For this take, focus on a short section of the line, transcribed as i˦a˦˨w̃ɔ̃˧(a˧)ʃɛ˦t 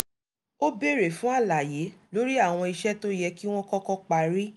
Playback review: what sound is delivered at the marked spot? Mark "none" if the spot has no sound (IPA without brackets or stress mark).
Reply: i˧